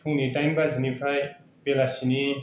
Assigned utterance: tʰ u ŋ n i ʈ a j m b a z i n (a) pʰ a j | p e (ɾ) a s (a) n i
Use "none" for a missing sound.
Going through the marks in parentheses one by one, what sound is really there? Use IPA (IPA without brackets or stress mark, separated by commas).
i, l, i